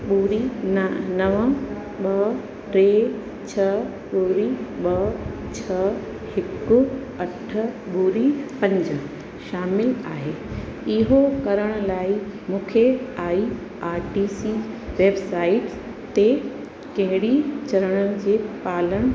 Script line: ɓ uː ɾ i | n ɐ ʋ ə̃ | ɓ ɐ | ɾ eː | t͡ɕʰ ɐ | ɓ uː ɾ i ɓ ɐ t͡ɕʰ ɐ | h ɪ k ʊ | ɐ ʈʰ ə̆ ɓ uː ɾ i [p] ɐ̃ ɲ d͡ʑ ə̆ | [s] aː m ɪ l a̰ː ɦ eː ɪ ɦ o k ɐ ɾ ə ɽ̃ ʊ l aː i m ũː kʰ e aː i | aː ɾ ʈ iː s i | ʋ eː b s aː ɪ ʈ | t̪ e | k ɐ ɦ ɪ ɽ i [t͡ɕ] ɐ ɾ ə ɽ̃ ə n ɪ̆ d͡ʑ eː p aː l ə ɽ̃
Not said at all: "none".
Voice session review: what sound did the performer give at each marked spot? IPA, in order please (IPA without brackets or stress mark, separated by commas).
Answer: p, ʃ, t͡ɕ